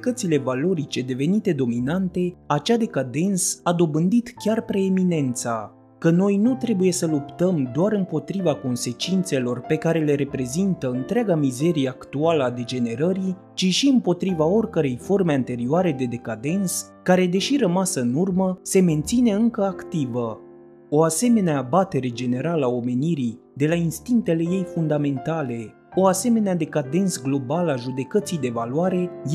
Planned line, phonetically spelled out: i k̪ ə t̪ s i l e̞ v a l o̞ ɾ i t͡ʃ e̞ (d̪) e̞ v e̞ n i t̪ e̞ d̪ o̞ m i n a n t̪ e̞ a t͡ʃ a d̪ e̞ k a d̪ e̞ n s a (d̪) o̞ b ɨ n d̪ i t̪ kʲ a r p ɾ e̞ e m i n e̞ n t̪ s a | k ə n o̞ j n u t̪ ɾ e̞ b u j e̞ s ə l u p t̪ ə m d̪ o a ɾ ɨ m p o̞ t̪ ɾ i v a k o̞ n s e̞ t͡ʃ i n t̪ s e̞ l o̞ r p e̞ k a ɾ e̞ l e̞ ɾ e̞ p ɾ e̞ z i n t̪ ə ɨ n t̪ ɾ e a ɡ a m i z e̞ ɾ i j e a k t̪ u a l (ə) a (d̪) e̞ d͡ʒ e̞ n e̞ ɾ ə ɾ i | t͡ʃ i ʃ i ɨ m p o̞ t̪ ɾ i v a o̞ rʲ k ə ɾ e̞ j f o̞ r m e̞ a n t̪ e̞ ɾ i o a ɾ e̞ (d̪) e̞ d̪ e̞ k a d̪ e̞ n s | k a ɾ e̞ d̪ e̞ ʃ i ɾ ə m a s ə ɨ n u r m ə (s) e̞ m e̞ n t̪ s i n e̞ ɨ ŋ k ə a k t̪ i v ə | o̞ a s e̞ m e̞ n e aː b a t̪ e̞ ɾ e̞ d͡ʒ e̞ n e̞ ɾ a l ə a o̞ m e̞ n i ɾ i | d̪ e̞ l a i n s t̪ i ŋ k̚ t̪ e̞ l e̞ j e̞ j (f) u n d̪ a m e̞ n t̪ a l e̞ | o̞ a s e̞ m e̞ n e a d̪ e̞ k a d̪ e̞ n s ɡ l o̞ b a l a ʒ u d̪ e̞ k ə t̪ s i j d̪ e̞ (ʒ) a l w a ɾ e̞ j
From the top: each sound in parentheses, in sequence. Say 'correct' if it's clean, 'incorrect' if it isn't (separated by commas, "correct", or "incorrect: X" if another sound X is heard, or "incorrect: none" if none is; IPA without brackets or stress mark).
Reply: correct, correct, correct, correct, correct, correct, correct, incorrect: v